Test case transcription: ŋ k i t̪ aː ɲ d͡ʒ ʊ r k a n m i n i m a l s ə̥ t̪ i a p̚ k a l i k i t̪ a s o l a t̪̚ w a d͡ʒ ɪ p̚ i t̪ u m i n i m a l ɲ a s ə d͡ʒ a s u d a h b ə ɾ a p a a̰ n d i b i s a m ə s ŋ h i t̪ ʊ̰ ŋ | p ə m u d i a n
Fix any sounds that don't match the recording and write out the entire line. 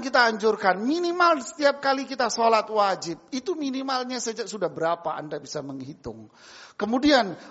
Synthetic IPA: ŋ k i t̪ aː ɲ d͡ʒ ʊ r k a n m i n i m a l s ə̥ t̪ i a p̚ k a l i k i t̪ a s o l a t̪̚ w a d͡ʒ ɪ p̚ i t̪ u m i n i m a l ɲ a s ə d͡ʒ a s u d a h b ə ɾ a p a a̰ n d a b i s a m ə ŋ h i t̪ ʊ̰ ŋ | k ə m u d i a n